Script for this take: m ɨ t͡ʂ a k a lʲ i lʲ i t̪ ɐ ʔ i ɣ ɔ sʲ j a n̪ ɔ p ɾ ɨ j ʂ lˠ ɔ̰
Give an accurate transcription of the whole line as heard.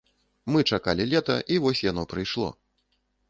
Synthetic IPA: m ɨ t͡ʂ a k a lʲ i lʲ ɛ t̪ ɐ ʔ i v ɔ sʲ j a n̪ ɔ p ɾ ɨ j ʂ lˠ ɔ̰